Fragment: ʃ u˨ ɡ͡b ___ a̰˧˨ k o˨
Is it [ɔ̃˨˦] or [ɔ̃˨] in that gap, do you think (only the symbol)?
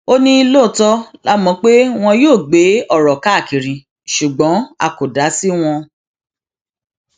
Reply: ɔ̃˨˦